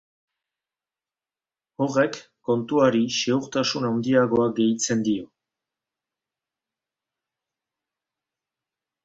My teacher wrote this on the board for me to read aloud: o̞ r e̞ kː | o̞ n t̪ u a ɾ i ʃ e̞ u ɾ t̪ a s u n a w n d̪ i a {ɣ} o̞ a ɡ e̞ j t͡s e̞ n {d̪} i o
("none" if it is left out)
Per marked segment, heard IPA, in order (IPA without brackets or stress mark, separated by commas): ɣ, d̪